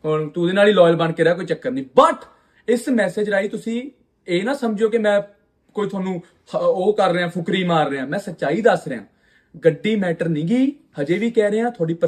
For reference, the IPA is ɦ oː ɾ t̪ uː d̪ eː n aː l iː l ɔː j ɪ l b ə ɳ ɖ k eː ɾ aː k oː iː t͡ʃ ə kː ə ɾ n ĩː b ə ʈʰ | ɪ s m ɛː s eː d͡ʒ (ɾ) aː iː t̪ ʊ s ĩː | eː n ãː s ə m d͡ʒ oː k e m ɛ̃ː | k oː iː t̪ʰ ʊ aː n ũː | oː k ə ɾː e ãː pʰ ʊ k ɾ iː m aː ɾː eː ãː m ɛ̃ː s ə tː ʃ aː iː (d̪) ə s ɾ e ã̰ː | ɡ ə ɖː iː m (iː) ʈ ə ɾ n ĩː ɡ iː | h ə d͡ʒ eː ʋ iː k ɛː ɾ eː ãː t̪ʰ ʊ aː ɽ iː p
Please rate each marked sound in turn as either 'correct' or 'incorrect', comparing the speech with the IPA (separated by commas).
correct, correct, incorrect